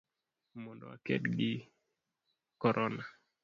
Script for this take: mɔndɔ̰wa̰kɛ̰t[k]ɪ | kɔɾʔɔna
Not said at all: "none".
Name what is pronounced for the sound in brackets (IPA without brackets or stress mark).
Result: ɡ